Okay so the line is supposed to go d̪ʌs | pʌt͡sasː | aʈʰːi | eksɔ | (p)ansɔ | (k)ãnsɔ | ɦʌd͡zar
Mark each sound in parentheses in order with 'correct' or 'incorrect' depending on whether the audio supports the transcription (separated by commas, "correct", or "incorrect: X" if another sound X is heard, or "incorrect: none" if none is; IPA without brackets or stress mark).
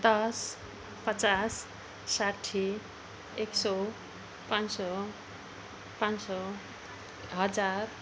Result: correct, incorrect: p